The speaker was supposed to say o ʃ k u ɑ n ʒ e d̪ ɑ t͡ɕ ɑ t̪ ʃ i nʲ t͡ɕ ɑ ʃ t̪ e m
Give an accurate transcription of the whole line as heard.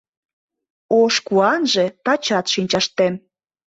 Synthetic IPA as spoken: o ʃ k u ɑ n ʒ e t̪ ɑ t͡ɕ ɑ t̪ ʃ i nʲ t͡ɕ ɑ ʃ t̪ e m